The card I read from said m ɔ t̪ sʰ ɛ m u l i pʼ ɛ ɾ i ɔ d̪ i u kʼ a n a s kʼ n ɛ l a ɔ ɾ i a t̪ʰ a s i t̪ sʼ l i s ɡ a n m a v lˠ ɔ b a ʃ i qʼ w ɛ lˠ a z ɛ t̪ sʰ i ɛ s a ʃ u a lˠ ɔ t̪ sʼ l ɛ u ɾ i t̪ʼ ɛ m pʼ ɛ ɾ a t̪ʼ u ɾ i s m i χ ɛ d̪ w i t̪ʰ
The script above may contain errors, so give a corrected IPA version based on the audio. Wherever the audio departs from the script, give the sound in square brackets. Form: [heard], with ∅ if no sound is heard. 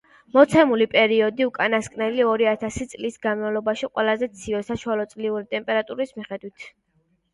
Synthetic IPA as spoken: m ɔ t̪ sʰ ɛ m u l i pʼ ɛ ɾ i ɔ d̪ i u kʼ a n a s kʼ n ɛ l [i] ɔ ɾ i a t̪ʰ a s i t̪ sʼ l i s ɡ a n m a v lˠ ɔ b a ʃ i qʼ w ɛ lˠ a z ɛ t̪ sʰ i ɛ s a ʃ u a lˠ ɔ t̪ sʼ l [i] u ɾ i t̪ʼ ɛ m pʼ ɛ ɾ a t̪ʼ u ɾ i s m i χ ɛ d̪ w i t̪ʰ

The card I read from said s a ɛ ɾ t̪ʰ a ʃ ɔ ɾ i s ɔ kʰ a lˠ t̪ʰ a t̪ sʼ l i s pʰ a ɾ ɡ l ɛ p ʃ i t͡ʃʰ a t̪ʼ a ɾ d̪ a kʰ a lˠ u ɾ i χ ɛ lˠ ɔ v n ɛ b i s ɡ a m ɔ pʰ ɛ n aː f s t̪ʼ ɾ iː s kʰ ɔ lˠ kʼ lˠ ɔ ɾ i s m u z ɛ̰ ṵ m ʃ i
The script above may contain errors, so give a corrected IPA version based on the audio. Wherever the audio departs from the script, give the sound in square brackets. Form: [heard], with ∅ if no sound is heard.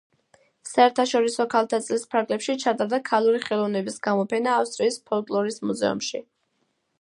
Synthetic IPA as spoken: s a ɛ ɾ t̪ʰ a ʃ ɔ ɾ i s ɔ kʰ a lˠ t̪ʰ a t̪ sʼ l i s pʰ a ɾ ɡ l ɛ p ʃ i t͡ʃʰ a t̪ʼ a ɾ d̪ a kʰ a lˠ u ɾ i χ ɛ lˠ ɔ v n ɛ b i s ɡ a m ɔ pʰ ɛ n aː f s t̪ʼ ɾ iː s [pʰ] ɔ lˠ kʼ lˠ ɔ ɾ i s m u z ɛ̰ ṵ m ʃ i

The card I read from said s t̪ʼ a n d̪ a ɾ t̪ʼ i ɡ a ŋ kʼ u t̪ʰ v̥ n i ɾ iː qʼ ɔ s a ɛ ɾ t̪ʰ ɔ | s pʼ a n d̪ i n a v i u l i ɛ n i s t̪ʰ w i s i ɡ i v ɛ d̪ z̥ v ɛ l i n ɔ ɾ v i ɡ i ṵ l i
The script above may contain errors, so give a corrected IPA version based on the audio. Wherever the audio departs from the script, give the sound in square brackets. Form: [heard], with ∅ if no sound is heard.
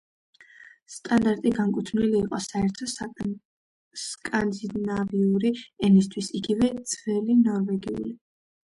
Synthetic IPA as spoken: s t̪ʼ a n d̪ a ɾ t̪ʼ i ɡ a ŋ kʼ u t̪ʰ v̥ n i [l] iː qʼ ɔ s a ɛ ɾ t̪ʰ ɔ | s [kʼ] a n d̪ i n a v i u [ɾ] i ɛ n i s t̪ʰ w i s i ɡ i v ɛ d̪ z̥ v ɛ l i n ɔ ɾ v [ɛ] ɡ i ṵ l i

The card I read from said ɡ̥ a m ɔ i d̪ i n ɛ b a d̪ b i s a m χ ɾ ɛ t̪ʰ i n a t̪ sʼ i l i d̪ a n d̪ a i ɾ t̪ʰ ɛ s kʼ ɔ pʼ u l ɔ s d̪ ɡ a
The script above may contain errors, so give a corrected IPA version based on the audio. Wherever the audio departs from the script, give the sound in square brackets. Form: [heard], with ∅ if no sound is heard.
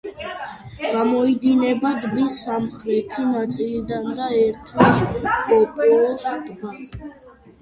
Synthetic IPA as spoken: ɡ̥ a m ɔ i d̪ i n ɛ b a d̪ b i s a m χ ɾ ɛ t̪ʰ i n a t̪ sʼ i l i d̪ a n d̪ a [ɛ] ɾ t̪ʰ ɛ s [pʼ] ɔ pʼ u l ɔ s d̪ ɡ a

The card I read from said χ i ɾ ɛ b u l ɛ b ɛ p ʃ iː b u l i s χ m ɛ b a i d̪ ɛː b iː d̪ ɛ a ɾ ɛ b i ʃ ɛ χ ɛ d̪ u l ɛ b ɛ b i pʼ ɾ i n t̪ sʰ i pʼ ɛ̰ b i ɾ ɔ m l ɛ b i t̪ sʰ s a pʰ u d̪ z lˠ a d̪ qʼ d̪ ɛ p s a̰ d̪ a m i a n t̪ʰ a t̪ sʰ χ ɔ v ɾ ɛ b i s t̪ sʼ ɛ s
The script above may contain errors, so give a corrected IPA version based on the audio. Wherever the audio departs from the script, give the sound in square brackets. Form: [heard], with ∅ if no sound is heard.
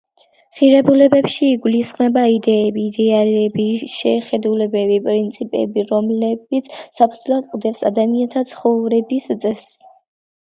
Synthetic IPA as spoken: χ i ɾ ɛ b u l ɛ b ɛ p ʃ iː [ɡ] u l i s χ m ɛ b a i d̪ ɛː b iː d̪ ɛ a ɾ ɛ b i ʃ ɛ χ ɛ d̪ u l ɛ b ɛ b i pʼ ɾ i n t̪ sʰ i pʼ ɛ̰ b i ɾ ɔ m l ɛ b i t̪ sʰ s a pʰ u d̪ z lˠ a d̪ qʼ d̪ ɛ p s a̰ d̪ a m i a n t̪ʰ a t̪ sʰ χ ɔ v ɾ ɛ b i s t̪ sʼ ɛ s

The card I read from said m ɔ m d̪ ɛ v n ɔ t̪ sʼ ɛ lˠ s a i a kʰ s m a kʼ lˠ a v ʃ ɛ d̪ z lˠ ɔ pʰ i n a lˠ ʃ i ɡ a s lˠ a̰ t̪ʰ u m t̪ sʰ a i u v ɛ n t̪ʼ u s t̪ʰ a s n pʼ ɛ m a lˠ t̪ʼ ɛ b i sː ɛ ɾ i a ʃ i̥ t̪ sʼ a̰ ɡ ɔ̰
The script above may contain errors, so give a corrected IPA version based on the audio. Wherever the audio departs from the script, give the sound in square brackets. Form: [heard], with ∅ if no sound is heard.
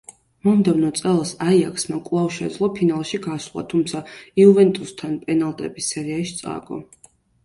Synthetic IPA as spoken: m ɔ m d̪ ɛ v n ɔ t̪ sʼ ɛ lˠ s a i a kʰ s m a kʼ lˠ a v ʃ ɛ d̪ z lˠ ɔ pʰ i n a lˠ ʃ i ɡ a s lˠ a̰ t̪ʰ u m t̪ sʰ a i u v ɛ n t̪ʼ u s t̪ʰ a [∅] n pʼ ɛ [n] a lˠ t̪ʼ ɛ b i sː ɛ ɾ i a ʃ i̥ t̪ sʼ a̰ ɡ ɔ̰

